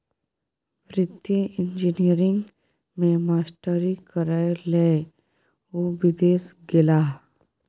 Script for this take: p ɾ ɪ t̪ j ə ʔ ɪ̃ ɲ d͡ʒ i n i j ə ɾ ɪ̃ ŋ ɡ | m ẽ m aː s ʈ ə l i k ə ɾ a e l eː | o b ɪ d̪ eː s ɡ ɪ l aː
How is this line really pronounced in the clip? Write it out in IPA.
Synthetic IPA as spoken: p ɾ ɪ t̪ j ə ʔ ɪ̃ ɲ d͡ʒ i n i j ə ɾ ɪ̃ ŋ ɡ | m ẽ m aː s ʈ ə ɾ i k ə ɾ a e l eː | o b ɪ d̪ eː s ɡ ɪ l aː